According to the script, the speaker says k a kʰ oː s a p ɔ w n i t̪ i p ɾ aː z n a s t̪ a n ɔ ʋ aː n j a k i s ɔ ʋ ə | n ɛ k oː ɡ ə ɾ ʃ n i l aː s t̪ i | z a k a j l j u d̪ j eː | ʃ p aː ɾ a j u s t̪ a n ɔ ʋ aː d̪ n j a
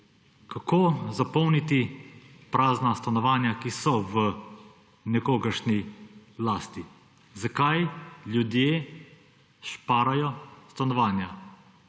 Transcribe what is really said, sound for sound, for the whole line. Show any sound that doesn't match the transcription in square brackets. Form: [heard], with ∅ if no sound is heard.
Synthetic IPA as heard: k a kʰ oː [z] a p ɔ w n i t̪ i p ɾ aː z n a s t̪ a n ɔ ʋ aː n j a k i s ɔ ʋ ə | n ɛ k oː ɡ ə ɾ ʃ n i l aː s t̪ i | z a k a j l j u d̪ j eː | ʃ p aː ɾ a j [ɔ] s t̪ a n ɔ ʋ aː [∅] n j a